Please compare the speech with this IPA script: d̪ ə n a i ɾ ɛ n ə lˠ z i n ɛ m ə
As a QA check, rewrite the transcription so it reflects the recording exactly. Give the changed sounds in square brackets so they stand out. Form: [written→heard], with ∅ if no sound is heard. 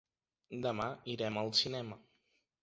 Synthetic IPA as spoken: d̪ ə [n→m] a i ɾ ɛ [n→m] ə lˠ [z→s] i n ɛ m ə